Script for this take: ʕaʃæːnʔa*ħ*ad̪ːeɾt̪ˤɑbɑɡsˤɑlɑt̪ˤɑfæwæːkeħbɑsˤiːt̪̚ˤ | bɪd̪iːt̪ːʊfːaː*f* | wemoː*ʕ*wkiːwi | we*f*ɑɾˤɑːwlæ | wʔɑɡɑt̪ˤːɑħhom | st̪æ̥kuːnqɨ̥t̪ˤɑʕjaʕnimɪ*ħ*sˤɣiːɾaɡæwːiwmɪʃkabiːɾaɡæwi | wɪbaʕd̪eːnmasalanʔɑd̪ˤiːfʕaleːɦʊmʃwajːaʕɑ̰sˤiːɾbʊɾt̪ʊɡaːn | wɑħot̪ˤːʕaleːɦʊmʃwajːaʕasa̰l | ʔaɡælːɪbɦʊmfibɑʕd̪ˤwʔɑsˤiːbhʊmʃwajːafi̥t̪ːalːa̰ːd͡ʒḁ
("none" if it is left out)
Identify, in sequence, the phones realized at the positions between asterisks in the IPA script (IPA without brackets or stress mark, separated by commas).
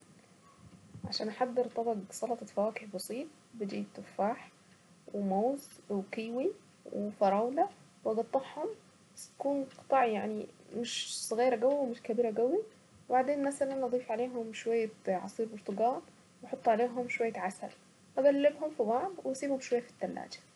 ħ, ħ, z, f, ʃ